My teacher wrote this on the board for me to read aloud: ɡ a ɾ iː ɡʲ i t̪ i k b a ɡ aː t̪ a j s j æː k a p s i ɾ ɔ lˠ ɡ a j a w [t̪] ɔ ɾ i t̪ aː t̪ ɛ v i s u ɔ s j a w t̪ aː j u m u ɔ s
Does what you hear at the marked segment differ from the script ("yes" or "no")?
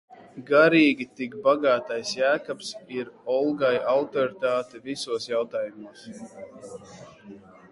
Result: no